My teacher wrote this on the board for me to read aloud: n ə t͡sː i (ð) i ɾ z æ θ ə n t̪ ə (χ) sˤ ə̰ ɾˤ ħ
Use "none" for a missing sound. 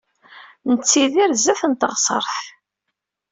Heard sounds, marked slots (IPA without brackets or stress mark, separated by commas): ð, ʁ